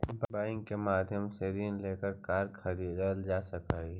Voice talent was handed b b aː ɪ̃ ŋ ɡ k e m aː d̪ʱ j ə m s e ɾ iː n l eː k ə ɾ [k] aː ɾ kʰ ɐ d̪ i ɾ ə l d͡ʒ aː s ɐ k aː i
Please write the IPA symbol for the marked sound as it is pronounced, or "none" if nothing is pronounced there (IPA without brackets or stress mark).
k